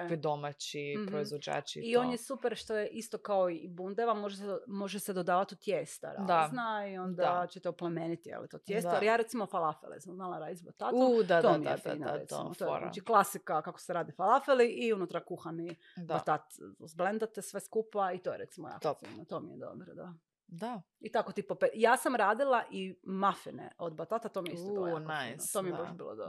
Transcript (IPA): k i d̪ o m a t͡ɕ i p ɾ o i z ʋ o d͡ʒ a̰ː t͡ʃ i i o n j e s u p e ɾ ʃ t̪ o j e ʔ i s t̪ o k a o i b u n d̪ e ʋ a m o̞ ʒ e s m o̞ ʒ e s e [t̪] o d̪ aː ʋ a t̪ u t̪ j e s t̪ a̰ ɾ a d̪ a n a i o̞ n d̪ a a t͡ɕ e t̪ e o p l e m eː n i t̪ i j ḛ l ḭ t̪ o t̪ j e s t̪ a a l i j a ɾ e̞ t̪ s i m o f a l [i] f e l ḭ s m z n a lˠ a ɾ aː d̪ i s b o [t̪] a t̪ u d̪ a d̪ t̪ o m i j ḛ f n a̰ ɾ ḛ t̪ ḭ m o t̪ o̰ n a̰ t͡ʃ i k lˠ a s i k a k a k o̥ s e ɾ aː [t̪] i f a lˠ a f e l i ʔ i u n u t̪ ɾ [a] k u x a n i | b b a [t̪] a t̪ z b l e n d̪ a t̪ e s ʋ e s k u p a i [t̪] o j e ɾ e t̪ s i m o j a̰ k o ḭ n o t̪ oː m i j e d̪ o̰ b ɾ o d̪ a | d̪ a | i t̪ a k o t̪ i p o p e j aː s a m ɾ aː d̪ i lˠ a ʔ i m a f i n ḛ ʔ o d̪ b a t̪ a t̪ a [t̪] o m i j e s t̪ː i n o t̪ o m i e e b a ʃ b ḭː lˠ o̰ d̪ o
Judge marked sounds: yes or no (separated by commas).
no, no, yes, no, yes, yes, yes, yes